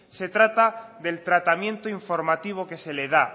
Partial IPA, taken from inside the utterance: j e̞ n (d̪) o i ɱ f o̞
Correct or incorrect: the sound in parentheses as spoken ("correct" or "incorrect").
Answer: incorrect